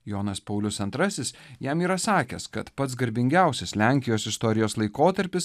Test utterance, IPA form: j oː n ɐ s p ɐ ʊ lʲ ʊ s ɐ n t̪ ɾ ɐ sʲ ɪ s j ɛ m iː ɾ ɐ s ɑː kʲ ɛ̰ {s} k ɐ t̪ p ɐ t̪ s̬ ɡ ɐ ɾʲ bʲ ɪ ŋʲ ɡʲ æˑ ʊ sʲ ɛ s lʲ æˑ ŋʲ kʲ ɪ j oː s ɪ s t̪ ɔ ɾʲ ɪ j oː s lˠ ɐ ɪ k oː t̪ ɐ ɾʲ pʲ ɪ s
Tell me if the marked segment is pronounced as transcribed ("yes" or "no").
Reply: yes